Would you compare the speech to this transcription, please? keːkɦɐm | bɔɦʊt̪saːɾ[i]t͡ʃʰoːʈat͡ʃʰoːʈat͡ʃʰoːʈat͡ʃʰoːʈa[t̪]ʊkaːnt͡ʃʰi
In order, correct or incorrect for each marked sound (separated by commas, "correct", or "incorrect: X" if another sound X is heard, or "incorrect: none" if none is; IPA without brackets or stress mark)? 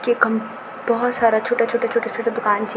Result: incorrect: a, incorrect: d̪